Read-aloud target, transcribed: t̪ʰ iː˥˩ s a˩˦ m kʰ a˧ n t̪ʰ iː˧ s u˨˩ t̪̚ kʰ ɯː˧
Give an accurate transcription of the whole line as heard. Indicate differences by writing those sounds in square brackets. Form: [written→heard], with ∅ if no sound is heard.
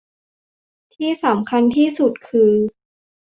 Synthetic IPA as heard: t̪ʰ iː˥˩ s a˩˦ m kʰ a˧ n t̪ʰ [iː˧→iː˥˩] s u˨˩ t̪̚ kʰ ɯː˧